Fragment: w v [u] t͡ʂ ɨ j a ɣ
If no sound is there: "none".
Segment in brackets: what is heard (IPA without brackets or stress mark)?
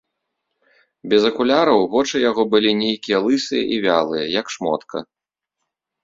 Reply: ɔ